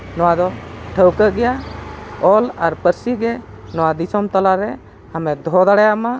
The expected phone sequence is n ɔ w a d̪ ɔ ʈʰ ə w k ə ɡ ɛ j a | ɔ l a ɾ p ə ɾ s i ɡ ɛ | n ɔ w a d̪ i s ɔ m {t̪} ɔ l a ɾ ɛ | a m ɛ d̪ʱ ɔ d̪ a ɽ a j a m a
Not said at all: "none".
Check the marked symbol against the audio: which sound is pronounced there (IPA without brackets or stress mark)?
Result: t̪